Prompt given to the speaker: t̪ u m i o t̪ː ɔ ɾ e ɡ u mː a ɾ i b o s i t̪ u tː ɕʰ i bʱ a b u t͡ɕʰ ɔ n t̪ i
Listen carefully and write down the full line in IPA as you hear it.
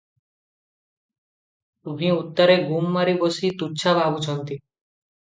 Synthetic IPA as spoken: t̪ u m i u t̪ː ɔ ɾ e ɡ u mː a ɾ i b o s i t̪ u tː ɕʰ a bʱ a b u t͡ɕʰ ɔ n t̪ i